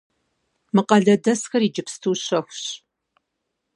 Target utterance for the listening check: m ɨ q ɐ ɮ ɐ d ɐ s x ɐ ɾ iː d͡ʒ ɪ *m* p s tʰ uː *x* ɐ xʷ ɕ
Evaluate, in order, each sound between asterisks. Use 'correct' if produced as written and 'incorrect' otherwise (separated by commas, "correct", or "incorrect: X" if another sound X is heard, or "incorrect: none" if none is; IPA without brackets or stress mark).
incorrect: none, incorrect: ɕ